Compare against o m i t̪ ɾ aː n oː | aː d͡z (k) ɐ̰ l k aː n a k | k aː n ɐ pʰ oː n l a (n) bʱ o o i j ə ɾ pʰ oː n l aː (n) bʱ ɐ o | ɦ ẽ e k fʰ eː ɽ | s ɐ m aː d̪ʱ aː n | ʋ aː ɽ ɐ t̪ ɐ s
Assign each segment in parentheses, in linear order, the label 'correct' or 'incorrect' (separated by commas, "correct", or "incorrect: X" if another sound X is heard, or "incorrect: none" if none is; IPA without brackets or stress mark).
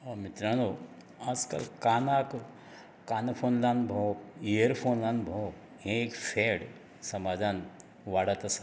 correct, correct, correct